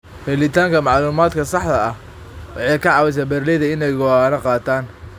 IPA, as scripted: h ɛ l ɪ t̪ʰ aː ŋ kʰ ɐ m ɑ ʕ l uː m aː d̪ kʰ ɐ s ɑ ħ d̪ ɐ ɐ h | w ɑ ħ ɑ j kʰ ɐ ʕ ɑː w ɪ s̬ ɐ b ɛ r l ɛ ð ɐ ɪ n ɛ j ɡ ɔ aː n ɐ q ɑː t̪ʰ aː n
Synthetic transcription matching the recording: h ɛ l ɪ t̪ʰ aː ŋ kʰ ɐ m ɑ ʕ l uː m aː d̪ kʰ ɐ s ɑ ħ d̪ ɐ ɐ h | w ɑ ħ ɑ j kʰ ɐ ʕ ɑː w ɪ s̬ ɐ b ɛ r l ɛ ð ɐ ɪ n ɛ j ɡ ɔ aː n ɐ q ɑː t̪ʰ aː n